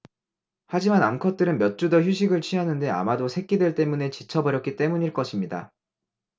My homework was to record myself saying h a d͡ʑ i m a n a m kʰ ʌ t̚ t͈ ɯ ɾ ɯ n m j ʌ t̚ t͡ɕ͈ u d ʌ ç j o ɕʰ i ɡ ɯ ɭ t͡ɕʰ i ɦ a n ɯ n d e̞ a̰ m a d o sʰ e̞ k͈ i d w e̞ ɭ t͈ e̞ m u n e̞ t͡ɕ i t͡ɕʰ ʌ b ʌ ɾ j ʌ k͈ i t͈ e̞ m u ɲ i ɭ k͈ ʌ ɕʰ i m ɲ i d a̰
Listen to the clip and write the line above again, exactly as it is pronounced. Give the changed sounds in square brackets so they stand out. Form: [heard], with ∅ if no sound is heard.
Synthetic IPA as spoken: h a d͡ʑ i m a n a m kʰ ʌ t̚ t͈ ɯ ɾ ɯ n m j ʌ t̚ t͡ɕ͈ u d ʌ ç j [u] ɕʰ i ɡ ɯ ɭ t͡ɕʰ i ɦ a n ɯ n d e̞ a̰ m a d o sʰ e̞ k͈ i d w e̞ ɭ t͈ e̞ m u n e̞ t͡ɕ i t͡ɕʰ ʌ b ʌ ɾ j ʌ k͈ i t͈ e̞ m u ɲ i ɭ k͈ ʌ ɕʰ i m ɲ i d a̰